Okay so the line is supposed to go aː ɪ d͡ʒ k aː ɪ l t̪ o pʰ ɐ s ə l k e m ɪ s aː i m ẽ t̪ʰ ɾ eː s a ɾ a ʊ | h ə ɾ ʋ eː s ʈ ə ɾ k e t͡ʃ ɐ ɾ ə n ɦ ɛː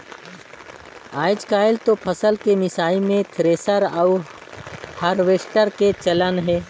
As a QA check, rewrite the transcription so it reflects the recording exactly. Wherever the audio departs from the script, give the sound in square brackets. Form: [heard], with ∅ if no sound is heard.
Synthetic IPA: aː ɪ d͡ʒ k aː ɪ l t̪ o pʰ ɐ s ə l k e m ɪ s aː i m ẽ t̪ʰ ɾ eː s [ə] ɾ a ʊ | h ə ɾ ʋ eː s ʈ ə ɾ k e t͡ʃ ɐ [l] ə n ɦ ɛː

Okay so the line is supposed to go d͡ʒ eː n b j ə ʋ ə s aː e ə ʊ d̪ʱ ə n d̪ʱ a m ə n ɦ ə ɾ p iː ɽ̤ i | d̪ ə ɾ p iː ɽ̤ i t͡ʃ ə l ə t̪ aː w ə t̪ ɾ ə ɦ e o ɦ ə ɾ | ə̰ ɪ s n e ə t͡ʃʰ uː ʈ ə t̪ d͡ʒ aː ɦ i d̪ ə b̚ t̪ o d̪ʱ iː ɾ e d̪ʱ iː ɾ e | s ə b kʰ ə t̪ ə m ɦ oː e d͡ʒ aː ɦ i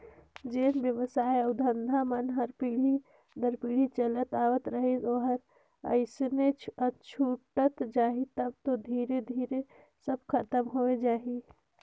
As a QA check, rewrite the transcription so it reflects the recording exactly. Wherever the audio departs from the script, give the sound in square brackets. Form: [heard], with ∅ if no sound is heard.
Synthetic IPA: d͡ʒ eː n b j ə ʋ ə s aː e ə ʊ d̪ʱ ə n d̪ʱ a m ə n ɦ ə ɾ p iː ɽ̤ i | d̪ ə ɾ p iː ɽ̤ i t͡ʃ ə l ə t̪ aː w ə t̪ ɾ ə ɦ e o ɦ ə ɾ | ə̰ ɪ s n e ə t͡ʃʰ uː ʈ ə t̪ d͡ʒ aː ɦ i [t̪] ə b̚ t̪ o d̪ʱ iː ɾ e d̪ʱ iː ɾ e | s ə b kʰ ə t̪ ə m ɦ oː e d͡ʒ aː ɦ i

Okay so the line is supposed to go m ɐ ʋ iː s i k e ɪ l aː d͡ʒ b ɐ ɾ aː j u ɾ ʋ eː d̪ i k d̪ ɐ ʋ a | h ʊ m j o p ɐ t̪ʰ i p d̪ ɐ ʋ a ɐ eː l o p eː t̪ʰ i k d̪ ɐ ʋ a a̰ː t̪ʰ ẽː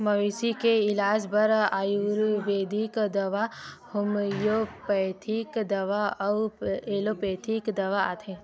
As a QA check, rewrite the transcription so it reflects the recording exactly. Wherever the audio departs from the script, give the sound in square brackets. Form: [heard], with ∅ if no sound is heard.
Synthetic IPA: m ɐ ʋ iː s i k e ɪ l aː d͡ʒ b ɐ ɾ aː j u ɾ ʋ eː d̪ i k d̪ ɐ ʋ a | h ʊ m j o p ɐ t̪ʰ i [k] d̪ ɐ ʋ a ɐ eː l o p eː t̪ʰ i k d̪ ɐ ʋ a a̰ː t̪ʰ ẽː

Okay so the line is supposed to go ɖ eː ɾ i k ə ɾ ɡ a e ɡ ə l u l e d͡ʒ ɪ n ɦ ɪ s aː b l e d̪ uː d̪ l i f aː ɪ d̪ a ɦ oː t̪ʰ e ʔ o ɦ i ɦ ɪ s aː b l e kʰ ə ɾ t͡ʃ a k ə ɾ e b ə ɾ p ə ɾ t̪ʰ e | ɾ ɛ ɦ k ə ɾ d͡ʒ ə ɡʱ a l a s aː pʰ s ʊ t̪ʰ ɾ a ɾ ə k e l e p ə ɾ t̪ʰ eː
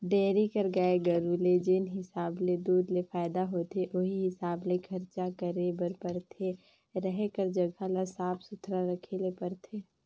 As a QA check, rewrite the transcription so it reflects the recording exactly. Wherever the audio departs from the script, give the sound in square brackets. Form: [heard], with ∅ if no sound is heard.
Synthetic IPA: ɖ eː ɾ i k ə ɾ ɡ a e ɡ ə [ɾ] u l e d͡ʒ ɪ n ɦ ɪ s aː b l e d̪ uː d̪ l [e] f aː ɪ d̪ a ɦ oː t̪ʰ e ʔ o ɦ i ɦ ɪ s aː b l e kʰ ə ɾ t͡ʃ a k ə ɾ e b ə ɾ p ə ɾ t̪ʰ e | ɾ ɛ ɦ k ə ɾ d͡ʒ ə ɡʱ a l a s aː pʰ s ʊ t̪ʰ ɾ a ɾ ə [kʰ] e l e p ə ɾ t̪ʰ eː

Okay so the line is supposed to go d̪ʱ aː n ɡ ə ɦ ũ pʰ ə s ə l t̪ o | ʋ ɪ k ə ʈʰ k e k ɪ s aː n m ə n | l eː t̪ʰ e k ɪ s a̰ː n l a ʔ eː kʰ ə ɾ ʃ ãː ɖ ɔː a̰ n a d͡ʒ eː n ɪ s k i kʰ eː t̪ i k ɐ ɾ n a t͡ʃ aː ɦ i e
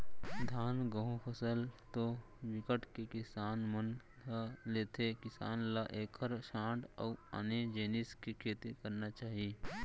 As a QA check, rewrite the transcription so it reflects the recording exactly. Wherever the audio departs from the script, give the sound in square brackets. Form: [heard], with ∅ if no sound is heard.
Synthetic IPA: d̪ʱ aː n ɡ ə ɦ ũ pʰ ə s ə l t̪ o | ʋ ɪ k ə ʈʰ k e k ɪ s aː n m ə n | l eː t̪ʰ e k ɪ s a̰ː n l a ʔ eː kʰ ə ɾ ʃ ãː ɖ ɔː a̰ n [e] d͡ʒ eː n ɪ s k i kʰ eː t̪ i k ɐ ɾ n a t͡ʃ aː ɦ i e

